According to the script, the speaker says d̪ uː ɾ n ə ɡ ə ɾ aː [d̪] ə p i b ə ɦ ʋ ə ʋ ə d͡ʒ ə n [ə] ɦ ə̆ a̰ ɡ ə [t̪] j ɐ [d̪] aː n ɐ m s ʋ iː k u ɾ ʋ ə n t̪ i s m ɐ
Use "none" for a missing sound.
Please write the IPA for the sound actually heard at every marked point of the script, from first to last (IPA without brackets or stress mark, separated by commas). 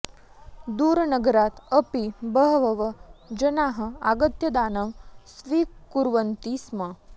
t̪, a, t̪, d̪